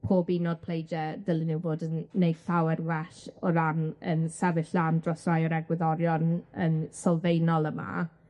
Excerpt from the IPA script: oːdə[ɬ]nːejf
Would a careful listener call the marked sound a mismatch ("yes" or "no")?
yes